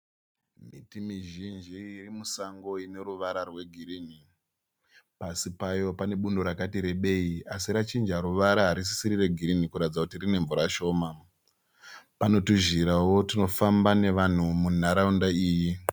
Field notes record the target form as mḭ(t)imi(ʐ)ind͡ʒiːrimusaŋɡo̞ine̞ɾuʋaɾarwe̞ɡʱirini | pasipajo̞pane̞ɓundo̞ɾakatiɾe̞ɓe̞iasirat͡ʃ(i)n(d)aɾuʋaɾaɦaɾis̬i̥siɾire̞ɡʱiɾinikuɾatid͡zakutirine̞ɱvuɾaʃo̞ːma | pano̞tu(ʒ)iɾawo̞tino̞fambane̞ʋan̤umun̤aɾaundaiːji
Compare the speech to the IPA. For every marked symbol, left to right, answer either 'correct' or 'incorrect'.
correct, incorrect: ʒ, correct, incorrect: d͡ʒ, correct

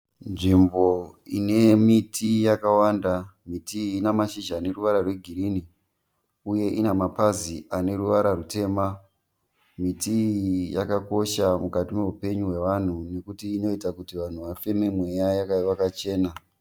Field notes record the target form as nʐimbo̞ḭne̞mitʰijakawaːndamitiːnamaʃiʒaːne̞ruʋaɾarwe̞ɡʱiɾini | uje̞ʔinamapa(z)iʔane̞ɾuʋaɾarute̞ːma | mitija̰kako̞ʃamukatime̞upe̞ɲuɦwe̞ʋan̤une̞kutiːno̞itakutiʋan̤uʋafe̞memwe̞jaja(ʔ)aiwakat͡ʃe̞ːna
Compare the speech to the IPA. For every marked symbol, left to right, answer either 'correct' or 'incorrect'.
correct, incorrect: k

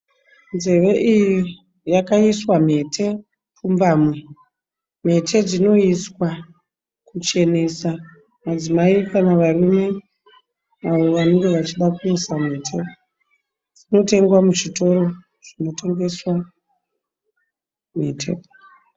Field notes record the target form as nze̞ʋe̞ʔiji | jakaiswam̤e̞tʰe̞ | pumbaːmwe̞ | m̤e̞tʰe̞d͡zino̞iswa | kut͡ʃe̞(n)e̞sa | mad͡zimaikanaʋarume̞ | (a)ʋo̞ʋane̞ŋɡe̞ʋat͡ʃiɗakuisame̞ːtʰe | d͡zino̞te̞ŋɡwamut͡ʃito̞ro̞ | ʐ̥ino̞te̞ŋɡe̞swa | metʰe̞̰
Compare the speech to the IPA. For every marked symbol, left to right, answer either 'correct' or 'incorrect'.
correct, correct

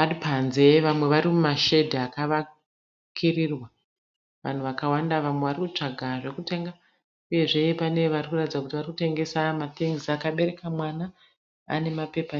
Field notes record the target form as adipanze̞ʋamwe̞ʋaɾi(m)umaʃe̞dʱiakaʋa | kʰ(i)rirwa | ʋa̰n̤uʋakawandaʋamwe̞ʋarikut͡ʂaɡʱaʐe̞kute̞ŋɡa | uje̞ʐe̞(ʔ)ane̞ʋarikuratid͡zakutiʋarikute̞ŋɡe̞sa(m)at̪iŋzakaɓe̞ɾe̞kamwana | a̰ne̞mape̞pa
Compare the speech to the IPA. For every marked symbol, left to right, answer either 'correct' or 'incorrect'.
correct, correct, incorrect: p, correct

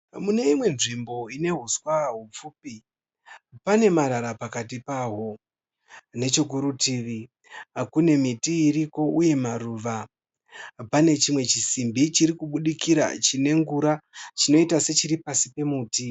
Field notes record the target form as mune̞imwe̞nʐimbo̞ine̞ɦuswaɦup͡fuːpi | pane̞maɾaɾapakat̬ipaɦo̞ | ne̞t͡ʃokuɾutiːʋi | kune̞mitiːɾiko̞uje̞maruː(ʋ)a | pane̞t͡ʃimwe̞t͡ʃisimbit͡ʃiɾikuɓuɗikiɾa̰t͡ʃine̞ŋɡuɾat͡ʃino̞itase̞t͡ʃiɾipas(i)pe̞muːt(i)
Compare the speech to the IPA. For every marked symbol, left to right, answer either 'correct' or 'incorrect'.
correct, correct, correct

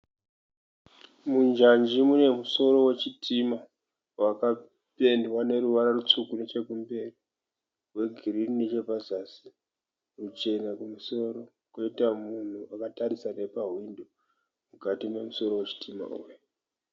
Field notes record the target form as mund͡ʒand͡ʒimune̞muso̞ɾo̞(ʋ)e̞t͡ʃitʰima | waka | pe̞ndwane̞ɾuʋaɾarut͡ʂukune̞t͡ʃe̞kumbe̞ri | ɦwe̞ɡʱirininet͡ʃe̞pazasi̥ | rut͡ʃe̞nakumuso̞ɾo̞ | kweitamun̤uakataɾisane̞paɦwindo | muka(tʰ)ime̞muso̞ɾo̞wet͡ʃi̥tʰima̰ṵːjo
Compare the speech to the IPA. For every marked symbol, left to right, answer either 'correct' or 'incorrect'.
incorrect: w, incorrect: t

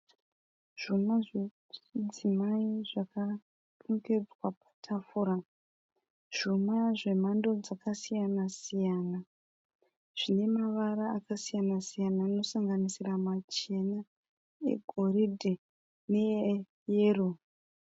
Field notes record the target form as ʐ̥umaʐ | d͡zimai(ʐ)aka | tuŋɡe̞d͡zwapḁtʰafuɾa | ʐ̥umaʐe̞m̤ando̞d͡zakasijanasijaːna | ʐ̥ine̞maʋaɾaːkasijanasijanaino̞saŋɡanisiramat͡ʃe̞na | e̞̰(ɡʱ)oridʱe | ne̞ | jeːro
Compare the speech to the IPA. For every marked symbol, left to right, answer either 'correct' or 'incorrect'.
correct, correct

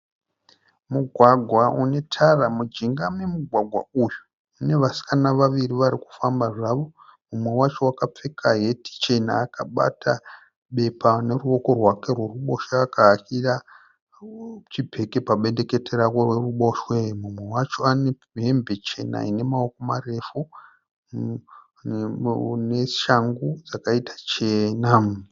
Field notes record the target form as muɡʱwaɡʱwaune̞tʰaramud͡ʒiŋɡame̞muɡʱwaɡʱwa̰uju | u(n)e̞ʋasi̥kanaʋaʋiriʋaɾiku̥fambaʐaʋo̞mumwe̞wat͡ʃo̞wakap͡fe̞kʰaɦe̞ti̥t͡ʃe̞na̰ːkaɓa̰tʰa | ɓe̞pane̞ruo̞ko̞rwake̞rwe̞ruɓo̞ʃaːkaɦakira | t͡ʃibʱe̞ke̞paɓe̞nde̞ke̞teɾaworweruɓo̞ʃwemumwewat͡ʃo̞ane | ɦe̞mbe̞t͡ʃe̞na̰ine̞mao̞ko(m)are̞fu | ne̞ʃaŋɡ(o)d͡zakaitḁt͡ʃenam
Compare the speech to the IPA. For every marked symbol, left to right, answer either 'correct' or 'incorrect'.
correct, correct, incorrect: u

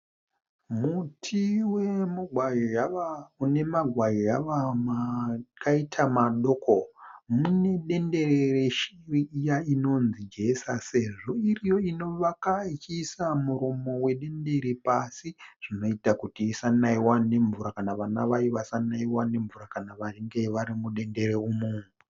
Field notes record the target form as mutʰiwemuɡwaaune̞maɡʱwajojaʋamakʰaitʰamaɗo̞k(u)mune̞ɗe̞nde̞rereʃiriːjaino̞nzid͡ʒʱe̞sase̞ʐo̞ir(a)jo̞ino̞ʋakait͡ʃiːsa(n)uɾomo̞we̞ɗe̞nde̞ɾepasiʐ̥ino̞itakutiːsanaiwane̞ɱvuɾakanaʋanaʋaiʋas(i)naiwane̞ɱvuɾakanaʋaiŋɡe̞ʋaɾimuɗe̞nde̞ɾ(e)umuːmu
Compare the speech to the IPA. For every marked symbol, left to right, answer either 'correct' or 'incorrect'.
incorrect: o, incorrect: i, incorrect: m, incorrect: a, correct

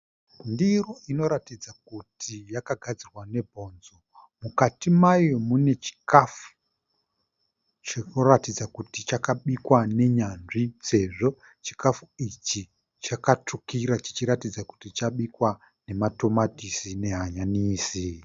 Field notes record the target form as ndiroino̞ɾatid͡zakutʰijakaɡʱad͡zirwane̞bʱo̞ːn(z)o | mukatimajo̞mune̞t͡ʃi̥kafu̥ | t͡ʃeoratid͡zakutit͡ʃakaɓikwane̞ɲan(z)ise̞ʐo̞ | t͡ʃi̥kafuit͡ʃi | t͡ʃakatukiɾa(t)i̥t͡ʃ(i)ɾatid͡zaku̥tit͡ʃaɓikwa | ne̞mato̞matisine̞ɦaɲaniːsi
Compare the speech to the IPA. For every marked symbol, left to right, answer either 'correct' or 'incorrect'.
correct, incorrect: ʐ, incorrect: t͡ʃ, correct

